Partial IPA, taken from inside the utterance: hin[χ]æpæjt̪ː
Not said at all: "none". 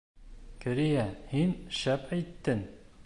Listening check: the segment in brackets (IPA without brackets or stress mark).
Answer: ʃ